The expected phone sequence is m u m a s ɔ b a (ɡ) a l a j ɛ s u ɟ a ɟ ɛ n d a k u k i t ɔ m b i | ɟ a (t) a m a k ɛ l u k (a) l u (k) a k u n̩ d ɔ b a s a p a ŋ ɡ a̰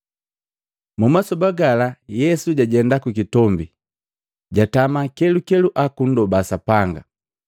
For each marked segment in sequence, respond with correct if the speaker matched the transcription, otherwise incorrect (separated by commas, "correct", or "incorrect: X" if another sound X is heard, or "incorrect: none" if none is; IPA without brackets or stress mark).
correct, correct, incorrect: ɛ, incorrect: ʔ